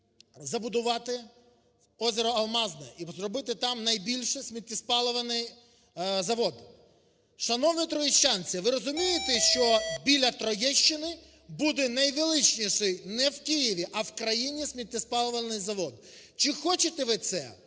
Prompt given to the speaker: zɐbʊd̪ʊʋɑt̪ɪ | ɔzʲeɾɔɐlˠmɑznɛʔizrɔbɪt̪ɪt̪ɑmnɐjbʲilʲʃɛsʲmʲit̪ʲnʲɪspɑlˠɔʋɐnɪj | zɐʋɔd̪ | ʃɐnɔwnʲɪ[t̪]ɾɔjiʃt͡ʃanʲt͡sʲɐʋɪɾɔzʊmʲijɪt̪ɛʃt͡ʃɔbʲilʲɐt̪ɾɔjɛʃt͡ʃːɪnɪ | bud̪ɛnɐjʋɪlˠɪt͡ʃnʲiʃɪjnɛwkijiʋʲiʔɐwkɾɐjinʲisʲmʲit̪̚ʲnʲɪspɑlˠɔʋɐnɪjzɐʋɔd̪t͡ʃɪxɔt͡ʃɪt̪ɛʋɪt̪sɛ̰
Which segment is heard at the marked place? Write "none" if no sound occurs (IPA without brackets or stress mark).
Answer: t̪